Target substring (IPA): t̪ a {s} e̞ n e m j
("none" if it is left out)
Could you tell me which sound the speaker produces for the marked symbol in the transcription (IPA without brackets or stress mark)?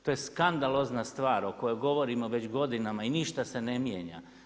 s